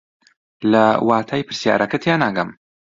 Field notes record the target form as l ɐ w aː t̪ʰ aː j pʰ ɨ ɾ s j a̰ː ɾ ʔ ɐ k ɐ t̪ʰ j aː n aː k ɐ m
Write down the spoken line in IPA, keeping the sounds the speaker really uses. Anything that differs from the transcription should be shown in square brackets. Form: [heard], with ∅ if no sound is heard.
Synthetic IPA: l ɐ w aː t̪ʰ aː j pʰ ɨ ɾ s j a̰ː ɾ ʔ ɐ k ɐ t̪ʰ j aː n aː [ɡ] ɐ m